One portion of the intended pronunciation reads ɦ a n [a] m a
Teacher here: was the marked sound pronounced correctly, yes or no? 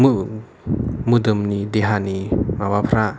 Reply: no